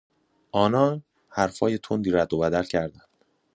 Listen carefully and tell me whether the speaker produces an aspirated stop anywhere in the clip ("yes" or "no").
yes